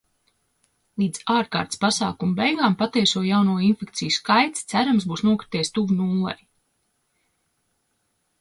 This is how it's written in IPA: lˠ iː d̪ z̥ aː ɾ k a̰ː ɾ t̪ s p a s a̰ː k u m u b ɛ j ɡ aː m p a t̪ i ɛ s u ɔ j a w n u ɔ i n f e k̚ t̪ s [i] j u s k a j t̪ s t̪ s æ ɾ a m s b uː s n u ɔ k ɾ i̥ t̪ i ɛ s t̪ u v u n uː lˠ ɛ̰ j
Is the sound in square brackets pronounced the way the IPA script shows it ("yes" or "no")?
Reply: yes